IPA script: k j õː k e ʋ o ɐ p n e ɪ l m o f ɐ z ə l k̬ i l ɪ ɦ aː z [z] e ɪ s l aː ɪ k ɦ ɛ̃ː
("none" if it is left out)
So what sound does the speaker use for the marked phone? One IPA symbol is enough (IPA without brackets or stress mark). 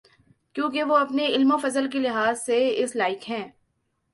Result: s